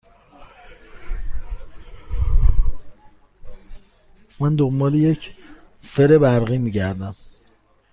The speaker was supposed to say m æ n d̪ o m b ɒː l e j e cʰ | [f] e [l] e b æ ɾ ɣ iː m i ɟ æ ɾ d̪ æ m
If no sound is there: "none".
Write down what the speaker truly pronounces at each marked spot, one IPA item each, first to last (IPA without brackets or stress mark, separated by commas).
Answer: f, ɾ